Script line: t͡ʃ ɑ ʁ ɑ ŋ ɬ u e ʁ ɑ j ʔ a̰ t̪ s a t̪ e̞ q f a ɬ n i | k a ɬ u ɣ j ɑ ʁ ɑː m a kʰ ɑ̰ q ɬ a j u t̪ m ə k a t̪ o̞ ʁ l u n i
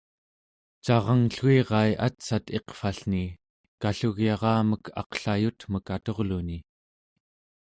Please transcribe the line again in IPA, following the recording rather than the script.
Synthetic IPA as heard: t͡ʃ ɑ ʁ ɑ ŋ ɬ u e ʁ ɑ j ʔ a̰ t̪ s a t̪ e̞ q f a ɬ n i | k a ɬ u ɣ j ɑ ʁ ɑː m ə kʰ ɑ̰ q ɬ a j u t̪ m ə k a t̪ o̞ ʁ l u n i